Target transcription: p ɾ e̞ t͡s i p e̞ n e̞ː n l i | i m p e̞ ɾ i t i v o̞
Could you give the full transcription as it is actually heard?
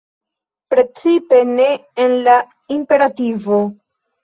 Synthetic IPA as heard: p ɾ e̞ t͡s i p e̞ n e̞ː n l a | i m p e̞ ɾ a t i v o̞